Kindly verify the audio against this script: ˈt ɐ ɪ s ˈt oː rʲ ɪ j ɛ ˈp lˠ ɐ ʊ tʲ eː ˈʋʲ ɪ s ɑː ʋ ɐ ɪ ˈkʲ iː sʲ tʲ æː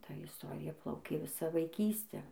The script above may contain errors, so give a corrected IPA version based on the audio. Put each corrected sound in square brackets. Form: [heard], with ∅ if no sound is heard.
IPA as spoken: ˈt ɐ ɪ s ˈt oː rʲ ɪ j ɛ ˈp lˠ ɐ ʊ [kʲ] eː ˈʋʲ ɪ s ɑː ʋ ɐ ɪ ˈkʲ iː sʲ tʲ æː